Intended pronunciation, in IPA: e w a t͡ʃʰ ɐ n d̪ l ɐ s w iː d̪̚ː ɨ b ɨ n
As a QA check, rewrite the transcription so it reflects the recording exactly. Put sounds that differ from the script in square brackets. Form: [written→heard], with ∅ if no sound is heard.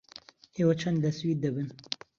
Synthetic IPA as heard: e w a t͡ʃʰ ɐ n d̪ l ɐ s w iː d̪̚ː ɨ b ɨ n